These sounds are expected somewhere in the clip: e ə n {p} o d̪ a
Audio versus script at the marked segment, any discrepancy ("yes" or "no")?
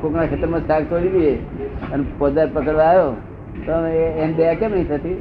no